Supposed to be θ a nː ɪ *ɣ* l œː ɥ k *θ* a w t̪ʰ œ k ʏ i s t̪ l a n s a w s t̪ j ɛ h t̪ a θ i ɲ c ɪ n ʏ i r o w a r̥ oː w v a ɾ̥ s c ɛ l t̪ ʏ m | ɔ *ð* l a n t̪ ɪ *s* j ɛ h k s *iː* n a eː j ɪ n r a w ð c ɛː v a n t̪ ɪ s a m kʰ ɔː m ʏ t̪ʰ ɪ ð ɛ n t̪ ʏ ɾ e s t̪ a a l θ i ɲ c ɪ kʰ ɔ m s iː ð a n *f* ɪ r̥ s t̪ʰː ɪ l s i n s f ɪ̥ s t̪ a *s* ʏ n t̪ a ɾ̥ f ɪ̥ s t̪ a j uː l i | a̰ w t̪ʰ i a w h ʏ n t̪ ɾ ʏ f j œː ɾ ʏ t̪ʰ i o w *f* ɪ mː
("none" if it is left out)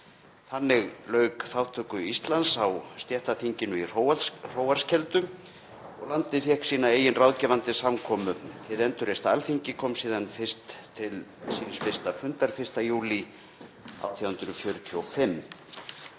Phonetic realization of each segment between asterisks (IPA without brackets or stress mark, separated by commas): ɣ, θ, ɣ, f, iː, f, f, f